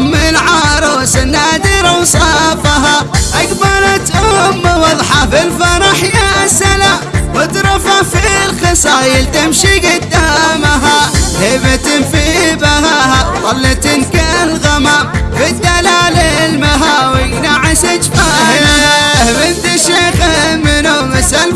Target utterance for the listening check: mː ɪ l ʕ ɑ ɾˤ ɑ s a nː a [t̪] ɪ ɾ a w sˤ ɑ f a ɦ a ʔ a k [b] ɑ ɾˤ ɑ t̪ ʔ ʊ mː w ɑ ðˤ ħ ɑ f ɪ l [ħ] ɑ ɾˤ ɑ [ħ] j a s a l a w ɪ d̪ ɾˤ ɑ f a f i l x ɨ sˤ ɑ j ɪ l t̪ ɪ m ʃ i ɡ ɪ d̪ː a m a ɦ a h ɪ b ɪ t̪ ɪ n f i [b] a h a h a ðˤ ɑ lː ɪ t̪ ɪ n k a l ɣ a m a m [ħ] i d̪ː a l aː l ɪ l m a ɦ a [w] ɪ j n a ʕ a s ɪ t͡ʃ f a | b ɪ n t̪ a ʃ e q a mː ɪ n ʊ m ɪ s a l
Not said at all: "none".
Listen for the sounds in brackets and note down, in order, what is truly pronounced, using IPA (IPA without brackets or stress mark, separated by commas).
d̪, b, f, ħ, b, f, w